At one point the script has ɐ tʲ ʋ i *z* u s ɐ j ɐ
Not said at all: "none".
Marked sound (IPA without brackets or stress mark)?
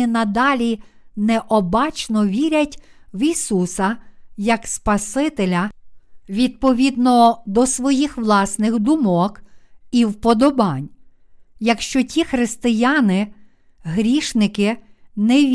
s